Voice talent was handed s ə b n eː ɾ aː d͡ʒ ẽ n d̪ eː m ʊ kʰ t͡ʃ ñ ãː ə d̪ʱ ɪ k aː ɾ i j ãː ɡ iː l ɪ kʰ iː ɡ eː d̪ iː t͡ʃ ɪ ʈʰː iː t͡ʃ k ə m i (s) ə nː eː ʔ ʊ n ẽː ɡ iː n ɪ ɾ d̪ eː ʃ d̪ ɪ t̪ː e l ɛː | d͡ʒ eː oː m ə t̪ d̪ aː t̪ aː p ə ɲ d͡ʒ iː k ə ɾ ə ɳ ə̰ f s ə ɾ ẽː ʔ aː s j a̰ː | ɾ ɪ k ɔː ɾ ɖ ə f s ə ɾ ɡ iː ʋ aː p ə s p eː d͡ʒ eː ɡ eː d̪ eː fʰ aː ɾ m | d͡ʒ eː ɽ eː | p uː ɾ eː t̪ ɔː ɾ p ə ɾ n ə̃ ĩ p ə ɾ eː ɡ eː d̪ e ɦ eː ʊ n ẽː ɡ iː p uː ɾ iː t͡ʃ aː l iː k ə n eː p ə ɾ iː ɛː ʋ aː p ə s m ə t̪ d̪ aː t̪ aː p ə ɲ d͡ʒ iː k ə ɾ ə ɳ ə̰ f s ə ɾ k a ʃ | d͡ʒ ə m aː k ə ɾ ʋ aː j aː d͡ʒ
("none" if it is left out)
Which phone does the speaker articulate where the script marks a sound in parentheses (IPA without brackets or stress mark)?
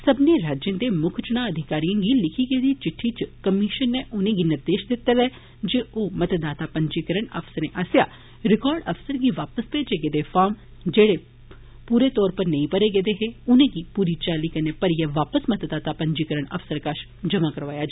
ʃ